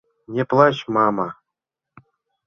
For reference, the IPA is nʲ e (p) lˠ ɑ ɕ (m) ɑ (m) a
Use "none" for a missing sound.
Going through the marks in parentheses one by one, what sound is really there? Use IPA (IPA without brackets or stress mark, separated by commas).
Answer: p, m, m